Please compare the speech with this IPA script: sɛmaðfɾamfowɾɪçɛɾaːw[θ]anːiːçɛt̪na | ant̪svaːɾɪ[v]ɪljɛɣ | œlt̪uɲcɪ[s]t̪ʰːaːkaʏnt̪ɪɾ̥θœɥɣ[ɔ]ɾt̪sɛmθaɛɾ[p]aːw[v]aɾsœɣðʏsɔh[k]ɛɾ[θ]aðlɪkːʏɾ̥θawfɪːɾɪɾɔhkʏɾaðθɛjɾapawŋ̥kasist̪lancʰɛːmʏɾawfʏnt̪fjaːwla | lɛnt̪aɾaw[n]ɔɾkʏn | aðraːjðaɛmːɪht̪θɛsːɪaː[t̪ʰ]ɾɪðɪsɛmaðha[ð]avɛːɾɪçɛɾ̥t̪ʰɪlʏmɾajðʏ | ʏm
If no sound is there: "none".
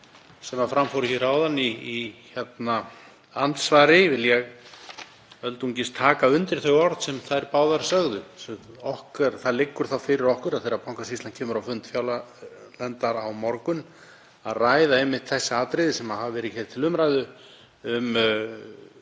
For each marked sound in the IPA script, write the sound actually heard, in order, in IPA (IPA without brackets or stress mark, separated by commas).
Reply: ð, v, s, ɔ, p, ð, k, θ, m, t̪, v